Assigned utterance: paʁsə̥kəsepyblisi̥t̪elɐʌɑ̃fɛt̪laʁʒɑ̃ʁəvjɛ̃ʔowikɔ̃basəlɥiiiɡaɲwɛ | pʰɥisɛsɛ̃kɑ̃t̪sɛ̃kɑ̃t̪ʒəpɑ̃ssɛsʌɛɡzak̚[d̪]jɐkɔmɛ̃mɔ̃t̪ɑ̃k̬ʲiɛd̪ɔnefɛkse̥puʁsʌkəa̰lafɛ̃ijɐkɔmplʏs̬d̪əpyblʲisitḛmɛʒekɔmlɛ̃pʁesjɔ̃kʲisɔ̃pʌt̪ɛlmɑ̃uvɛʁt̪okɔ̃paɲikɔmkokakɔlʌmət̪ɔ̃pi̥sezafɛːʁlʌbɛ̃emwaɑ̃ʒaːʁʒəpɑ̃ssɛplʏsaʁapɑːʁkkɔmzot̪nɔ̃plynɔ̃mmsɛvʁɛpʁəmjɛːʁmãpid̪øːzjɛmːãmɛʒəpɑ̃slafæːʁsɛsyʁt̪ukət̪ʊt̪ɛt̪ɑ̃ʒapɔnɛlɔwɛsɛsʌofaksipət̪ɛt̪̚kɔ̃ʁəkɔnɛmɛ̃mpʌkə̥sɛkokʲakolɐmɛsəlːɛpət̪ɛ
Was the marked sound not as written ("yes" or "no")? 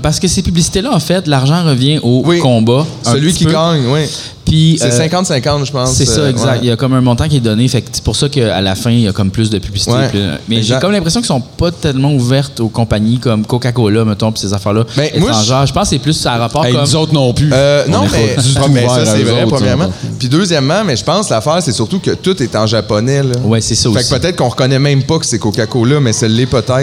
yes